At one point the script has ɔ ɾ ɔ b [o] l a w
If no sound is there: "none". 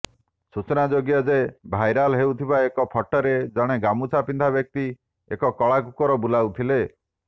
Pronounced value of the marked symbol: u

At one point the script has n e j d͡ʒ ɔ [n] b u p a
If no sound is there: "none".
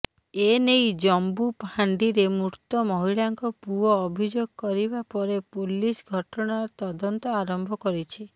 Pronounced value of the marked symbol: m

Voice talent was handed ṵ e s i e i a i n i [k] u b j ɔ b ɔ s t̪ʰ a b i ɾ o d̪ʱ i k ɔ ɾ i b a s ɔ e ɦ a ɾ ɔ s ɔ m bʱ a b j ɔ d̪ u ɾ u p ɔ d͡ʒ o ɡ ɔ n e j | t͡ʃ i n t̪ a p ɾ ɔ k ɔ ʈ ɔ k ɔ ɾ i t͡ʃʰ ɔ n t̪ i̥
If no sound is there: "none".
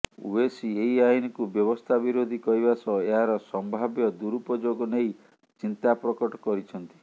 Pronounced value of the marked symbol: k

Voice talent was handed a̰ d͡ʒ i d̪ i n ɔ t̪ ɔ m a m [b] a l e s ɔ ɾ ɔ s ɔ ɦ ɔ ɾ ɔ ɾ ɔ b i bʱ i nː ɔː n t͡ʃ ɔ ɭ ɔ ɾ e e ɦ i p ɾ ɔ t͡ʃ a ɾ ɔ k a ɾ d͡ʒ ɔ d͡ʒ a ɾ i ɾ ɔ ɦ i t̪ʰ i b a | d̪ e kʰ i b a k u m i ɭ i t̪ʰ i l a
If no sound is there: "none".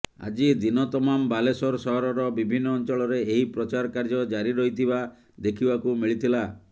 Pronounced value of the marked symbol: b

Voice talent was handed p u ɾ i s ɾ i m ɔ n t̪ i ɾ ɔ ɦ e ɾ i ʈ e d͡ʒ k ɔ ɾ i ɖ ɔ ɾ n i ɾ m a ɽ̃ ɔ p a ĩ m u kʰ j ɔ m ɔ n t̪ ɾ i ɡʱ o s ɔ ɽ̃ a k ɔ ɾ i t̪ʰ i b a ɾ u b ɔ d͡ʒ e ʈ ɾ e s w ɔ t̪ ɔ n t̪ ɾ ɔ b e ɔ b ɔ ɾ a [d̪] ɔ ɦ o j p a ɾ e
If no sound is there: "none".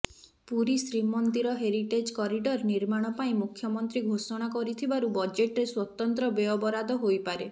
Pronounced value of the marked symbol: d̪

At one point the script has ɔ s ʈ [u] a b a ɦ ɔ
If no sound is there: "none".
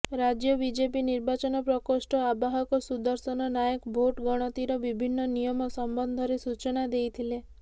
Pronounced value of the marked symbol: ɔ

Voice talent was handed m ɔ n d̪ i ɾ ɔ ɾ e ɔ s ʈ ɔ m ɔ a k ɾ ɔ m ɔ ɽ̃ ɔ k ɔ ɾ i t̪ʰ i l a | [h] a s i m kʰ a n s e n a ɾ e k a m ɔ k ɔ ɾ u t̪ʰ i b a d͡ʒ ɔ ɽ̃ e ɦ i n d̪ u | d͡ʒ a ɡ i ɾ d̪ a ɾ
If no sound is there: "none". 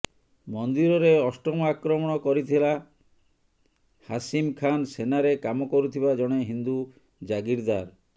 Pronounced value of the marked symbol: h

